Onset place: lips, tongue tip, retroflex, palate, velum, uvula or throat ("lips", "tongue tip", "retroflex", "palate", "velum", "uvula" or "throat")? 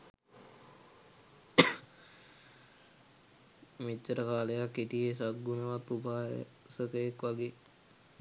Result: lips